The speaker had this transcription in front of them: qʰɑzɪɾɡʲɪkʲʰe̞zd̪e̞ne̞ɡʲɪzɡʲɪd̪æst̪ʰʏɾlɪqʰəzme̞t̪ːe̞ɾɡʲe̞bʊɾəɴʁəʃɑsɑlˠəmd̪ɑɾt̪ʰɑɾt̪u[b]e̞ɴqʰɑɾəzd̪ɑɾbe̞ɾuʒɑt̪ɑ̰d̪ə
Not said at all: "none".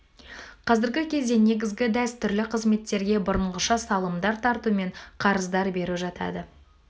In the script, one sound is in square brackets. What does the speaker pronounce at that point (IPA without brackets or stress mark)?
m